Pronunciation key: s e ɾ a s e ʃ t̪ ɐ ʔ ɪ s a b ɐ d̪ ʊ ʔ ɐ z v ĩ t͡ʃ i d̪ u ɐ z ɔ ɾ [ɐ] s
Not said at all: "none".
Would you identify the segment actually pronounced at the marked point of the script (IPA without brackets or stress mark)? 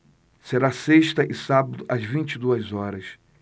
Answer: ɐ